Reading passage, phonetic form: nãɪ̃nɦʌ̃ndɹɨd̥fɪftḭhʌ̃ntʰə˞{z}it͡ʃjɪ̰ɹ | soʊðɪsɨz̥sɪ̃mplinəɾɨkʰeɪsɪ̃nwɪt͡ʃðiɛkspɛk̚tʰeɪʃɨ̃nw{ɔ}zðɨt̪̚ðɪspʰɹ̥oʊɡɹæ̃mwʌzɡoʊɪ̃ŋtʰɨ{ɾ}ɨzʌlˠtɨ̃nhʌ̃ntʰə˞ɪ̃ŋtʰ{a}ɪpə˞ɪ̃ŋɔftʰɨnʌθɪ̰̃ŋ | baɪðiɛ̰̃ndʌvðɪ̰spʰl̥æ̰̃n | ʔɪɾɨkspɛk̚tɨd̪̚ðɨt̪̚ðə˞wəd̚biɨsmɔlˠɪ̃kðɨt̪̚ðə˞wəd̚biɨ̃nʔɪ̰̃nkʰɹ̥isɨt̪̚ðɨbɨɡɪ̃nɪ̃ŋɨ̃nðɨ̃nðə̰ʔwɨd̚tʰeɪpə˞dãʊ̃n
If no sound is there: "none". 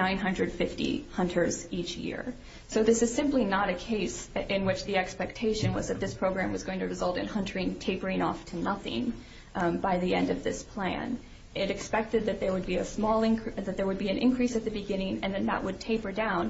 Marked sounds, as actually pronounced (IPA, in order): z, ʌ, ɹ, e

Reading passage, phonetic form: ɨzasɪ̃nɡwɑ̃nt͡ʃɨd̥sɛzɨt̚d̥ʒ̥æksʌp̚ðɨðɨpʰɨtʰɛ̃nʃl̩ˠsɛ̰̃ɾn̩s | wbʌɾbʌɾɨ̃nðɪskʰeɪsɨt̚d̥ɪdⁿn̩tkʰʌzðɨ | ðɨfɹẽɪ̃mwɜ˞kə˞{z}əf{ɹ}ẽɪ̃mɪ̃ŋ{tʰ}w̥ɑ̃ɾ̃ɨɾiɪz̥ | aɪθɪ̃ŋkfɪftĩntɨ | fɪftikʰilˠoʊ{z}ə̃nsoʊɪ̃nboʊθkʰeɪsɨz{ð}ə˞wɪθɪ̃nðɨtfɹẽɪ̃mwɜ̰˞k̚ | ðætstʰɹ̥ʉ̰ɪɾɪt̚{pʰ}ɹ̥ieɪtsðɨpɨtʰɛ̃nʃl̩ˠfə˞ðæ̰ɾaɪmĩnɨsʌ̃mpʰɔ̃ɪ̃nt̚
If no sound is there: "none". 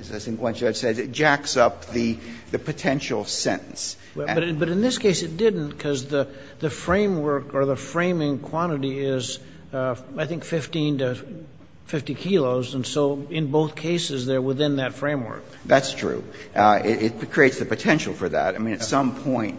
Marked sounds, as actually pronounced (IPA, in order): ð, ɹ, kʰ, z, ð, kʰ

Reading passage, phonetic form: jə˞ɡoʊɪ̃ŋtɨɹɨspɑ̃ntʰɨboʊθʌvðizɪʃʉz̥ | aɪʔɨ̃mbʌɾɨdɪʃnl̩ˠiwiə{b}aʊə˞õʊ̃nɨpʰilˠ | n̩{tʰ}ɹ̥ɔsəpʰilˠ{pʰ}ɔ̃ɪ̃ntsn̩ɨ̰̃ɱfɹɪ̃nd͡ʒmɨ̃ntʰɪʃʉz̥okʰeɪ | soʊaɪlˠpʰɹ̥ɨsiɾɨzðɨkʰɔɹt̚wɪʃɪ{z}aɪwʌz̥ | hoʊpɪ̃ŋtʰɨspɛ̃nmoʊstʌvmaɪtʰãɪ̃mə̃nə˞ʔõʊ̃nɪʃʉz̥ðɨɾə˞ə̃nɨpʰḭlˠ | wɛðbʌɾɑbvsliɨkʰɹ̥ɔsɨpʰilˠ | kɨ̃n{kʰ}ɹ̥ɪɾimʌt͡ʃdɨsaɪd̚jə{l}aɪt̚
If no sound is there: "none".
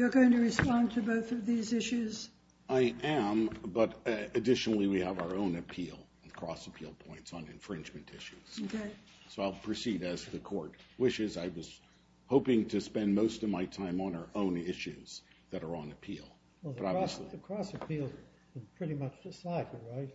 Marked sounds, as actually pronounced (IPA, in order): v, kʰ, pʰ, z, pʰ, ɹ

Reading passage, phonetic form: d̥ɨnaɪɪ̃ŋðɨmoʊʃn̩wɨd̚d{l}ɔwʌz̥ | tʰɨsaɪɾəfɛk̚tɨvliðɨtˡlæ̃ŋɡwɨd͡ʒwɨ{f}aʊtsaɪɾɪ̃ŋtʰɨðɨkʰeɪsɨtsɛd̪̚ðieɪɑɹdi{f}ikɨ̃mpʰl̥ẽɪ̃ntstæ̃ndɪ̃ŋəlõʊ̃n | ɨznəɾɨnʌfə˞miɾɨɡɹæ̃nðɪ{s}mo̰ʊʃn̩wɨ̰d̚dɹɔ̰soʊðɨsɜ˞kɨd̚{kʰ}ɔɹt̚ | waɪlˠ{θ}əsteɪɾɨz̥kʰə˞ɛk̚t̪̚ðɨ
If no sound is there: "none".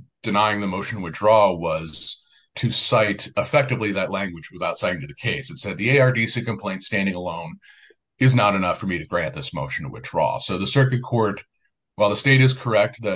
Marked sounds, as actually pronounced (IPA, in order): ɹ, θ, s, s, kʰ, ð

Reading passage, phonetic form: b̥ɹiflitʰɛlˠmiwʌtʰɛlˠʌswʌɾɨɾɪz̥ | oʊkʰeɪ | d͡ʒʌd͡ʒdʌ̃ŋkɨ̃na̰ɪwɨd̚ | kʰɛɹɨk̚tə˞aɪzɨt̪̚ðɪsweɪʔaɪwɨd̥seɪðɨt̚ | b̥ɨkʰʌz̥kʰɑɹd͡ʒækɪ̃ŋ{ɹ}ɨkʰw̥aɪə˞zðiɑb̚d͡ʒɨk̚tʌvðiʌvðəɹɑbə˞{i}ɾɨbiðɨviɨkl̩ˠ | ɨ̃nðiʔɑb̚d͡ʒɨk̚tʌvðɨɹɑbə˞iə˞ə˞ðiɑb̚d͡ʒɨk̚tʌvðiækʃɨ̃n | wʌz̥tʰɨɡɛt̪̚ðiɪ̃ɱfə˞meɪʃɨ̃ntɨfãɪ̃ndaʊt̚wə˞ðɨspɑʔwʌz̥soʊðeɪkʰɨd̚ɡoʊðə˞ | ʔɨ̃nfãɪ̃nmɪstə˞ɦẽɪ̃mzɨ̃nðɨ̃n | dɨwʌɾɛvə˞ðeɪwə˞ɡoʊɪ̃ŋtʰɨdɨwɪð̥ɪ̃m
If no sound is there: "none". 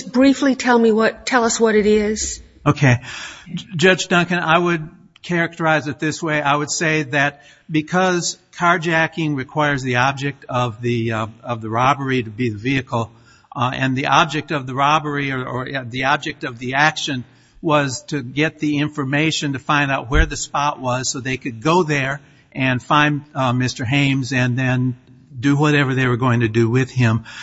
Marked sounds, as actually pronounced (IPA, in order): ɹ, i

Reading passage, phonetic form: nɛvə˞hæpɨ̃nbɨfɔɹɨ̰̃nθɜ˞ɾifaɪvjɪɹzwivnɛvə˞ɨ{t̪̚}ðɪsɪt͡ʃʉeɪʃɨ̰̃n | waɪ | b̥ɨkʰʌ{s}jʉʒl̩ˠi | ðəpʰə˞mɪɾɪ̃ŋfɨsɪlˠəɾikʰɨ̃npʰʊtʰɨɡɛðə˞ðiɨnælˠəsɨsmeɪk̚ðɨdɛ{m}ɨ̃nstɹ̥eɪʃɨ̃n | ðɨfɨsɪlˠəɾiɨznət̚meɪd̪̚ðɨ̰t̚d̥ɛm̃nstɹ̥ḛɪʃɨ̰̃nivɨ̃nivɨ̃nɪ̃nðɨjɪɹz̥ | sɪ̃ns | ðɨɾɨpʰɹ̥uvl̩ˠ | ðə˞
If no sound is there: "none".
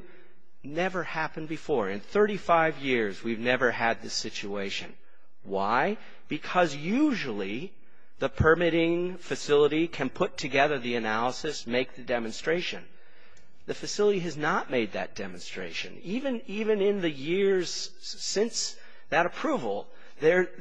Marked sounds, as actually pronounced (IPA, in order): d̪̚, z, m

